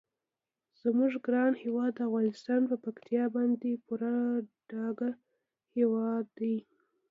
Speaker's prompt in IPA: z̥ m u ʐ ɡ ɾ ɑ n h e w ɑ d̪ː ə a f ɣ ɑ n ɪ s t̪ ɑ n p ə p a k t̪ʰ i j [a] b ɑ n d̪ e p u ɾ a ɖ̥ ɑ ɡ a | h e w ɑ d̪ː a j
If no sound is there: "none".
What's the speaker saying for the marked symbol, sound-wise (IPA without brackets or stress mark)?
ɑ